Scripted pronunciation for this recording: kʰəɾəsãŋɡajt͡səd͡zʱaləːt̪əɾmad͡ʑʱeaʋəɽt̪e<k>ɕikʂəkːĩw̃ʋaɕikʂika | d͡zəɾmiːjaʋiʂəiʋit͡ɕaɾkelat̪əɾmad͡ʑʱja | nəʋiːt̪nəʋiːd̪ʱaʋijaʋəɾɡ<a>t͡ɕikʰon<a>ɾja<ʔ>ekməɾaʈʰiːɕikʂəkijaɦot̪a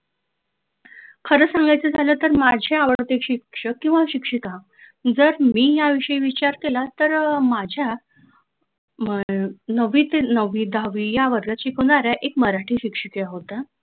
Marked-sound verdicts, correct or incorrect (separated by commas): correct, correct, correct, correct